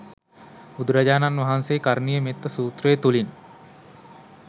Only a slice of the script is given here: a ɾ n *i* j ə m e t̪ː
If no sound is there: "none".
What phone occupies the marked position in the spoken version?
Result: i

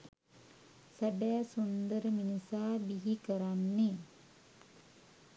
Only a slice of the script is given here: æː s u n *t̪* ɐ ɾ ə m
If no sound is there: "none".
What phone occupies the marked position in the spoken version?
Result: d̪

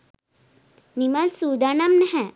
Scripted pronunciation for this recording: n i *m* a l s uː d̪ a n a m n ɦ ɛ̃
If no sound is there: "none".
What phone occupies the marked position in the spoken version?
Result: m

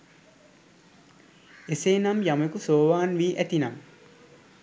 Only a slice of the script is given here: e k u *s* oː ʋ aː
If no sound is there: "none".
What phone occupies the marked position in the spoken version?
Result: s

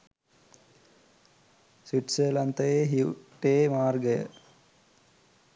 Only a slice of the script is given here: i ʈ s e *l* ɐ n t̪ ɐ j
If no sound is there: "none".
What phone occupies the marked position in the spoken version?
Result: l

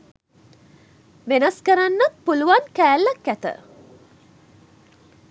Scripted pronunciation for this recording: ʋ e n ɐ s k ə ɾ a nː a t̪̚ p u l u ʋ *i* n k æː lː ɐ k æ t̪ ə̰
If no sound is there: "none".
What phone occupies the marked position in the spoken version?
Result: a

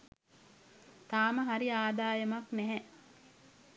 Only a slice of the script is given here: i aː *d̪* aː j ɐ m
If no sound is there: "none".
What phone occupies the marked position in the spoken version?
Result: d̪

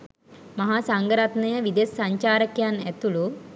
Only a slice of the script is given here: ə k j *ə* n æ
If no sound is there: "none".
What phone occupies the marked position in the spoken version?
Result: a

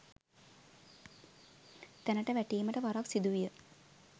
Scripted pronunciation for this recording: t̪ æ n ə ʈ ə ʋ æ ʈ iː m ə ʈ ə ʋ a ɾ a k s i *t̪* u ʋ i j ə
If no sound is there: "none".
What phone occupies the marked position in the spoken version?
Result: d̪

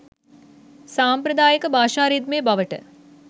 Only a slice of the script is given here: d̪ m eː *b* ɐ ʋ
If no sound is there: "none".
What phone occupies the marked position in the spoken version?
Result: b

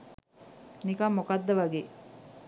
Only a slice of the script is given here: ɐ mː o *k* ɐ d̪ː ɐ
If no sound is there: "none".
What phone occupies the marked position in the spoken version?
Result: k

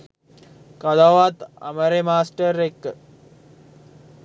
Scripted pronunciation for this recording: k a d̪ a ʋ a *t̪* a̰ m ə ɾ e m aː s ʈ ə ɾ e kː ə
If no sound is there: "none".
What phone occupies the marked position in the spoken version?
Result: t̪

